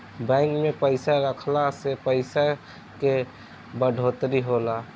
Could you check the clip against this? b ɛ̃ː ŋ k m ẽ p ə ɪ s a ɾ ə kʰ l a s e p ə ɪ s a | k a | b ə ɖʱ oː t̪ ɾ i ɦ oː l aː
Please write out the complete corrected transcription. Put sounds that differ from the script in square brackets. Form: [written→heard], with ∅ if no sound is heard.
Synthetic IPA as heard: b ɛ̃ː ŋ k m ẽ p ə ɪ s a ɾ ə kʰ l a s e p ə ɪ s a | k [a→e] | b ə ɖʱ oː t̪ ɾ i ɦ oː l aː